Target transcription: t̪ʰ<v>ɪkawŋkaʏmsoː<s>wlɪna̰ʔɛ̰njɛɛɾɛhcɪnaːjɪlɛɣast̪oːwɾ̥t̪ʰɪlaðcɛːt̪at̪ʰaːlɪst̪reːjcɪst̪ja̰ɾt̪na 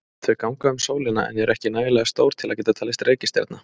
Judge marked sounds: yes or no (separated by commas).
yes, no